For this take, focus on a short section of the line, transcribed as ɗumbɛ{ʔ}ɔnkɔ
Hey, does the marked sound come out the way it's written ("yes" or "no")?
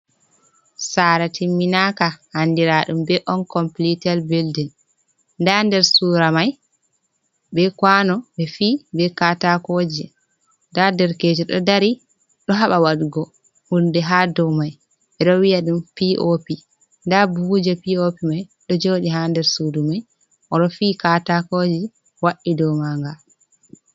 yes